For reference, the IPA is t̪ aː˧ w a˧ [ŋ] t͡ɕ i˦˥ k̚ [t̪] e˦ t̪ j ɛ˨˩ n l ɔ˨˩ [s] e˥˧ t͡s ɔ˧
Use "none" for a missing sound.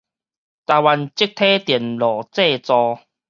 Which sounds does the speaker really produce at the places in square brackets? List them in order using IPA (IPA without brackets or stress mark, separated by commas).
n, t̪ʰ, t͡s